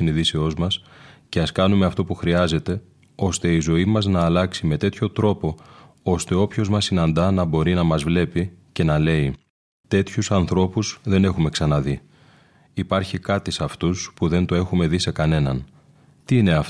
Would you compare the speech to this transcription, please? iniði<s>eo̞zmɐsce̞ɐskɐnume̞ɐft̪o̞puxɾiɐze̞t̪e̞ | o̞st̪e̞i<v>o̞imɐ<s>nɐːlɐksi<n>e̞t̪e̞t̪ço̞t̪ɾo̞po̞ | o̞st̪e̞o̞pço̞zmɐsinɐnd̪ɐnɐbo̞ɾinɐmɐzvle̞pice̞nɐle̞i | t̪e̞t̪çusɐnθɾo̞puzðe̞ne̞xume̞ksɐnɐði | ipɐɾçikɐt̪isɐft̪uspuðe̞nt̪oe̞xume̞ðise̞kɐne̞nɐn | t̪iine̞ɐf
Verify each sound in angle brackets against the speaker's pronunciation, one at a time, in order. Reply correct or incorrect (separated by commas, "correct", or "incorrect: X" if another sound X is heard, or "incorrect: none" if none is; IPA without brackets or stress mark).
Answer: correct, incorrect: z, incorrect: z, incorrect: m